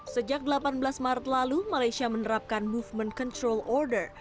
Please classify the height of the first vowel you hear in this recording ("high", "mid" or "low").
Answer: mid